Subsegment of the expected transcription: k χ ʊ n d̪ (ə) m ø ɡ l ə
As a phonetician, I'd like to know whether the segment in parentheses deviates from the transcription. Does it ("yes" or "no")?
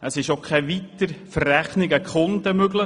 no